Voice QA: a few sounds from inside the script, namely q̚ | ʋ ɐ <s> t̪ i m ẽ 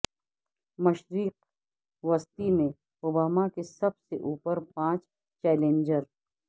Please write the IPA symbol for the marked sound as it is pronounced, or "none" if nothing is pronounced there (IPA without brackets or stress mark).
s